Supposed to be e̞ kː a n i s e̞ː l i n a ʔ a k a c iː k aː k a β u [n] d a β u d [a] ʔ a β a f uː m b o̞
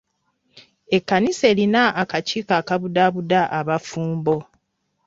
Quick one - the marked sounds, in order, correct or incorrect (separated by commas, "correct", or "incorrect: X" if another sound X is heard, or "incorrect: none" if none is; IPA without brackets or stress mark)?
incorrect: none, correct